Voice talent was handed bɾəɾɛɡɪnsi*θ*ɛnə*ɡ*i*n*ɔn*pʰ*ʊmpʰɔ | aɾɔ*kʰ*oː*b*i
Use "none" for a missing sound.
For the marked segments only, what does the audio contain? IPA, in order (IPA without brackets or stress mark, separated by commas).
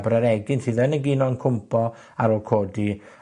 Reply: ð, ɡ, n, kʰ, kʰ, d